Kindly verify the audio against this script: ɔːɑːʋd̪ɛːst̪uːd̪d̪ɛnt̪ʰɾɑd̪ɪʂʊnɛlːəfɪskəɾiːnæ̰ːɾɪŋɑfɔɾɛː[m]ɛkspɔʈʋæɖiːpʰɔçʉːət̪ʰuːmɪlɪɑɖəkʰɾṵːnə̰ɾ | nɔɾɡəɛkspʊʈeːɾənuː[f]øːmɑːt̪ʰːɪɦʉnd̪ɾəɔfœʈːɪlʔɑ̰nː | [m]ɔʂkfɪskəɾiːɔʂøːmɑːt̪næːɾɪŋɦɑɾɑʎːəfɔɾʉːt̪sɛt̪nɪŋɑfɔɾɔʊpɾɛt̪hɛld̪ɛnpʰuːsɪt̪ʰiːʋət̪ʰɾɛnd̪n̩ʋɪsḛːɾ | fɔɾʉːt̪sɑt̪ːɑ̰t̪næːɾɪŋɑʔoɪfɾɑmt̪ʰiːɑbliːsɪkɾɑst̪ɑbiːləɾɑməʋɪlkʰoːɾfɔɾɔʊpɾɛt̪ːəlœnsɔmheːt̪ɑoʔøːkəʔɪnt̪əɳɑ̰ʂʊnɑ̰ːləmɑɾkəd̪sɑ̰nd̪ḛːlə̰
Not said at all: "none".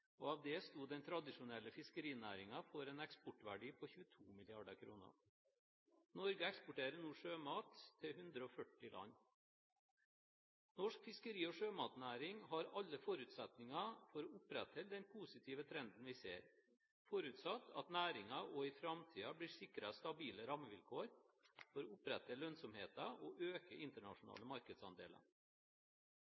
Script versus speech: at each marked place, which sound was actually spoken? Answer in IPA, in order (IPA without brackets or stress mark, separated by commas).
n, ʂ, n